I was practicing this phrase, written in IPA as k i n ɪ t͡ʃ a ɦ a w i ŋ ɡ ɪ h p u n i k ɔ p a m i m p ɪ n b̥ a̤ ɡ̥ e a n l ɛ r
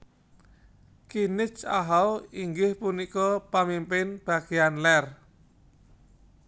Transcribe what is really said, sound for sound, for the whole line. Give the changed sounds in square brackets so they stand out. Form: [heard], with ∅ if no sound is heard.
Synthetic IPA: k i n ɪ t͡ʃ a ɦ a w i ŋ ɡ ɪ h p u n i k ɔ p a m i m p ɪ n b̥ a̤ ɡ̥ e a n l ɛ r

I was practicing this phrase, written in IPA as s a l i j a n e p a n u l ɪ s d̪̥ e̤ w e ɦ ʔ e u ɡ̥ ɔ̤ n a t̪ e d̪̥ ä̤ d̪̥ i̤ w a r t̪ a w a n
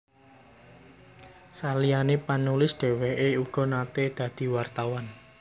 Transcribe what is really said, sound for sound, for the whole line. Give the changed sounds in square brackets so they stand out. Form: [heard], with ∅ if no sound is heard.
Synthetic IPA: s a l i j a n e p a n u l ɪ s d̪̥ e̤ w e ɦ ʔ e u ɡ̥ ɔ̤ n a t̪ e d̪̥ ä̤ d̪̥ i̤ w a r t̪ a w a n

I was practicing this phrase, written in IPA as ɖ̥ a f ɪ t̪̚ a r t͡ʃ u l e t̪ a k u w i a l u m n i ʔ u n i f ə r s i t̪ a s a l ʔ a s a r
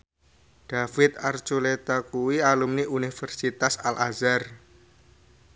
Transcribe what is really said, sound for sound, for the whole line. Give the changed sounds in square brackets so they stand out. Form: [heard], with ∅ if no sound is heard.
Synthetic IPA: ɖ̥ a f ɪ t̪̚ a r t͡ʃ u l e t̪ a k u w i a l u m n i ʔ u n i f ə r s i t̪ a s a l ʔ a [z] a r

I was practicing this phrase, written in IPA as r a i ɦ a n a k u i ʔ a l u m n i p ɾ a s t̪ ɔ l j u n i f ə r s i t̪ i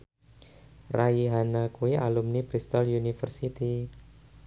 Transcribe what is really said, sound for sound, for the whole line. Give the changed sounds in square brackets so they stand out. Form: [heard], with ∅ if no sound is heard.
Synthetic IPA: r a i ɦ a n a k u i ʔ a l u m n i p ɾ [i] s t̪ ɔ l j u n i f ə r s i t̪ i

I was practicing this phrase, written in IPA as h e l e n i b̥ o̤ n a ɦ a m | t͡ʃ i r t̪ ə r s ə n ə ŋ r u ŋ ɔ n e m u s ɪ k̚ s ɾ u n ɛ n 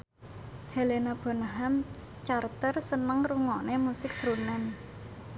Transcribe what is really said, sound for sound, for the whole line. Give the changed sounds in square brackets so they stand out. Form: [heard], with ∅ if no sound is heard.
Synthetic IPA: h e l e n [a] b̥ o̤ n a ɦ a m | t͡ʃ [a] r t̪ ə r s ə n ə ŋ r u ŋ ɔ n e m u s ɪ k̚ s ɾ u n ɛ n

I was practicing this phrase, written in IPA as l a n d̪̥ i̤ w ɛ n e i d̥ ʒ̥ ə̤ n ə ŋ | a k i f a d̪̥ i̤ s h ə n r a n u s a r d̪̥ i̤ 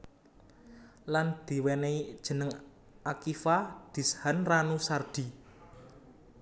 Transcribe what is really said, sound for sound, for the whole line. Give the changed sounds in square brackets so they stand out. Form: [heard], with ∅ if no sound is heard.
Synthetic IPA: l a n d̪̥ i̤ w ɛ n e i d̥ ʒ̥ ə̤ n ə ŋ | a k i f a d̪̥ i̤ s h [a] n r a n u s a r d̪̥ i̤

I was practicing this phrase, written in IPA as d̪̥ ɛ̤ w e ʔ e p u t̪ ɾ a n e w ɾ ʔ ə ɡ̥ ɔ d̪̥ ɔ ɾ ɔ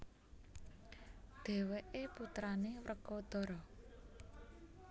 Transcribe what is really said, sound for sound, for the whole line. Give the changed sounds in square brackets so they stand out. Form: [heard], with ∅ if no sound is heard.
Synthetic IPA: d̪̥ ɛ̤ w e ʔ e p u t̪ ɾ a n e w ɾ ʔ ə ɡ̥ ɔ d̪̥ ɔ ɾ ɔ

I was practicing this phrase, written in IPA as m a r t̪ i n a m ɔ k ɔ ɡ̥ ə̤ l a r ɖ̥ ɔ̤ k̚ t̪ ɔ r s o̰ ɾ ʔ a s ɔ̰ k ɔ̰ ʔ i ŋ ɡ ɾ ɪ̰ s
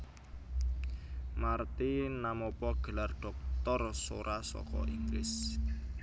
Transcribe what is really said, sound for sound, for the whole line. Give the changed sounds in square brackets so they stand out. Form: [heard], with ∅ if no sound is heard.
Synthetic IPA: m a r t̪ i n a m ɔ [p] ɔ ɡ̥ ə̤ l a r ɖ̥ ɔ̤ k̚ t̪ ɔ r s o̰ ɾ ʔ a s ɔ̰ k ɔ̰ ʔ i ŋ ɡ [l] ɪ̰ s

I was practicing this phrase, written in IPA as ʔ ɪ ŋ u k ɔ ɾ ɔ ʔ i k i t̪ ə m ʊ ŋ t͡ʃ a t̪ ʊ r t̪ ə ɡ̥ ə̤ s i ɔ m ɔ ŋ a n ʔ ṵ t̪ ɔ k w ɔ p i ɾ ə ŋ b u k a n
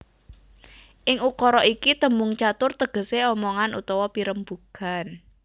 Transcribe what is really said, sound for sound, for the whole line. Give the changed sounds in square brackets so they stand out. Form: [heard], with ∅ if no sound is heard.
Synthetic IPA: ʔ ɪ ŋ u k ɔ ɾ ɔ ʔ i k i t̪ ə m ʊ ŋ t͡ʃ a t̪ ʊ r t̪ ə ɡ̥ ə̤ s [e] ɔ m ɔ ŋ a n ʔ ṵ t̪ ɔ [∅] w ɔ p i ɾ ə [m] b u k a n

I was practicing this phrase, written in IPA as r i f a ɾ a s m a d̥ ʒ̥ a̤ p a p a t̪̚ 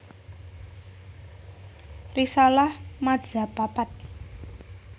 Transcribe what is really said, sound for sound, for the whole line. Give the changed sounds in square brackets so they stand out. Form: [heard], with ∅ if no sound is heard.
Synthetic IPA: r i [s] a [l] a [h] m a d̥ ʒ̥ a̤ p a p a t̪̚

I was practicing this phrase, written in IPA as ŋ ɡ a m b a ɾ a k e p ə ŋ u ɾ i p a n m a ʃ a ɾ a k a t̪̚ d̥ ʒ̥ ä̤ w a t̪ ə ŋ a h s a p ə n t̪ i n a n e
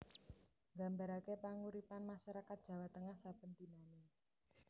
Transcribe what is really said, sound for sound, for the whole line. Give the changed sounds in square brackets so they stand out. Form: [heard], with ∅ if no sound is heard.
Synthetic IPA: ŋ ɡ a m b a ɾ a k e p [a] ŋ u ɾ i p a n m a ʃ a ɾ a k a t̪̚ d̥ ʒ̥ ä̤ w a t̪ ə ŋ a h s a p ə n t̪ i n a n e

